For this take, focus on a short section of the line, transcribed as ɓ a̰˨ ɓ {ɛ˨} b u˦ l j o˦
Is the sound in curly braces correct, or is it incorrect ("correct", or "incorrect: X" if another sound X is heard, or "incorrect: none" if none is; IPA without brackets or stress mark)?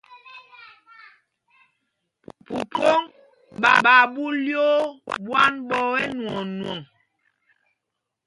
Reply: incorrect: a˨